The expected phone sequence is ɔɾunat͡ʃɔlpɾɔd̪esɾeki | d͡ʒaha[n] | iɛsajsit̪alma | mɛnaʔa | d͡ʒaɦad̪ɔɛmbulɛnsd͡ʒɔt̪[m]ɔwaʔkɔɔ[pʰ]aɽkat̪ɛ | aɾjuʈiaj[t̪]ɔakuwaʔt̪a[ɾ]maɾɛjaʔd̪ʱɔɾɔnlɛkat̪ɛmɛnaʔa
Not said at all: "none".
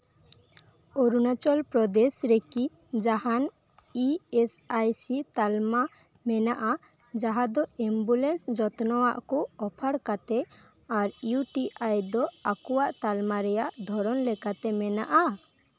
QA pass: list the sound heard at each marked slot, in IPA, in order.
n, n, pʰ, d̪, l

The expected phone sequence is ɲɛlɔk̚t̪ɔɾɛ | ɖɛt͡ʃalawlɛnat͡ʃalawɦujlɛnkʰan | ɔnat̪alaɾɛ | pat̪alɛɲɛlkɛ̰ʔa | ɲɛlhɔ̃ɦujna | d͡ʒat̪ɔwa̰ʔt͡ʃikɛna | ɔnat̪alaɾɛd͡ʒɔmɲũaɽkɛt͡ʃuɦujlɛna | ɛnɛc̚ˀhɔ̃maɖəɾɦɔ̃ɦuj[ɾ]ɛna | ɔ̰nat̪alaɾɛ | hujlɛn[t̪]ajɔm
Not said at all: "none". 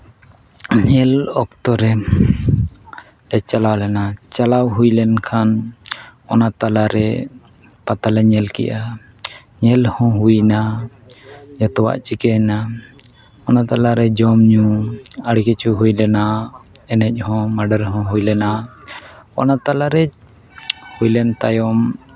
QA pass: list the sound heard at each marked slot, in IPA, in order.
l, t̪

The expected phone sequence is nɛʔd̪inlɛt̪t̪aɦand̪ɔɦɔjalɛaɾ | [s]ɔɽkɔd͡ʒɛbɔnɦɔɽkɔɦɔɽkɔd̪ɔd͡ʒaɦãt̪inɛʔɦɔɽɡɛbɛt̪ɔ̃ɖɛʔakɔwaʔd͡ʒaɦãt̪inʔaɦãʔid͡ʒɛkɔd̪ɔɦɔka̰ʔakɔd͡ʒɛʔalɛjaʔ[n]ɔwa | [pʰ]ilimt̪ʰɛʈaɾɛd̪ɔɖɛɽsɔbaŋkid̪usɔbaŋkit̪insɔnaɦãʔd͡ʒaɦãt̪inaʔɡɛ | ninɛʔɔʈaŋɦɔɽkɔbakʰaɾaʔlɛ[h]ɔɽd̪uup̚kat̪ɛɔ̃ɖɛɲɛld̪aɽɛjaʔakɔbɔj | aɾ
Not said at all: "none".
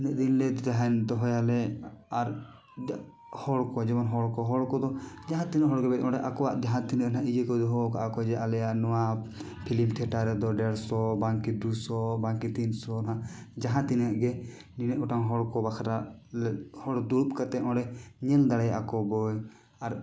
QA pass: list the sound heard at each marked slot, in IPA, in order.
h, n, pʰ, h

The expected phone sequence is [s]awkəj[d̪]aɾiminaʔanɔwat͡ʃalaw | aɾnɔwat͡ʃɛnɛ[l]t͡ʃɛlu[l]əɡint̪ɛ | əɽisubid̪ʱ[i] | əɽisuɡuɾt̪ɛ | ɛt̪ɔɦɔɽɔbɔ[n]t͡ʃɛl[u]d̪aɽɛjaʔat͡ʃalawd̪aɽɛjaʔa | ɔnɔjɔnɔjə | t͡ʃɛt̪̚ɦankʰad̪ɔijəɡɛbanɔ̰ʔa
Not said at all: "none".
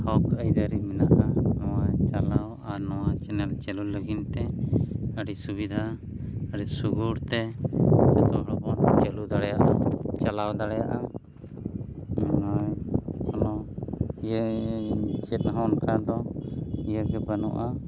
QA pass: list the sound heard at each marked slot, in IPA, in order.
h, d̪, l, l, a, n, u

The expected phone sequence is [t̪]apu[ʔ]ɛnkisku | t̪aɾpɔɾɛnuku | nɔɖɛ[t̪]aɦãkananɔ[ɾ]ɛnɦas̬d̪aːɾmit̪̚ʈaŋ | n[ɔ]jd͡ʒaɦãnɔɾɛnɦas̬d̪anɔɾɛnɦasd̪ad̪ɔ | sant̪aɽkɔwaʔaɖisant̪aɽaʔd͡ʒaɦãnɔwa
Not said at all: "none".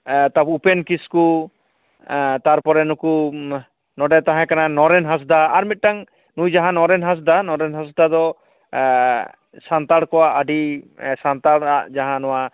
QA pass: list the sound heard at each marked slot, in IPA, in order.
t̪, p, t̪, ɾ, u

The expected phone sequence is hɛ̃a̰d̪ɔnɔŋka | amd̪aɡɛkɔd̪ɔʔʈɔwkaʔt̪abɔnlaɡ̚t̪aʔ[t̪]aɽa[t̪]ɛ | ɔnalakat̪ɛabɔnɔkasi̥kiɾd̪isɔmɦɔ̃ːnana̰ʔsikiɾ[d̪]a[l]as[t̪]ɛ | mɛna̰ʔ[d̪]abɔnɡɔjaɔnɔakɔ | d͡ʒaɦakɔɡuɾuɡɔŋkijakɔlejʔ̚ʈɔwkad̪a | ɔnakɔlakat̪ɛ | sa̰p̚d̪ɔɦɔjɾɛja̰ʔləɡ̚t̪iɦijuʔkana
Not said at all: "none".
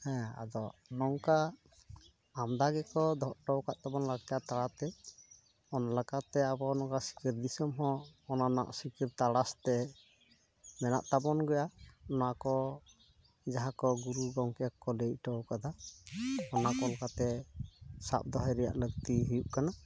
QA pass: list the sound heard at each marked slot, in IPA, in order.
t̪, t̪, t̪, ɽ, t̪, t̪

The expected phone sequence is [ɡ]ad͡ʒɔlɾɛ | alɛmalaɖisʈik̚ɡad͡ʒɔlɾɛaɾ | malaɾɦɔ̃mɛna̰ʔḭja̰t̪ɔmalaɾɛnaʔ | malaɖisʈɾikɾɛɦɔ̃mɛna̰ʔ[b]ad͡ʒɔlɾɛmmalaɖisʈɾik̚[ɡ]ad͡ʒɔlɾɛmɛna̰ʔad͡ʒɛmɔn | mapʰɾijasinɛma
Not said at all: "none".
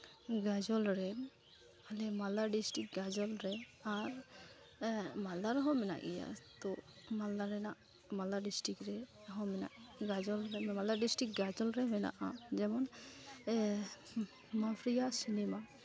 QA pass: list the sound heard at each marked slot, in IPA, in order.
ɡ, ɡ, ɡ

